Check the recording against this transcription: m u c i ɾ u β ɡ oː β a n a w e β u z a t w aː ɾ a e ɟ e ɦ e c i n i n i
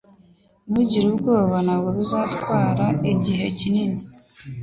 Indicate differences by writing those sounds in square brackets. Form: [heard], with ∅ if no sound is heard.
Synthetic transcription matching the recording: m u [ɟ] i ɾ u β ɡ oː β a n a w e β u z a t w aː ɾ a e ɟ [i] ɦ e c i n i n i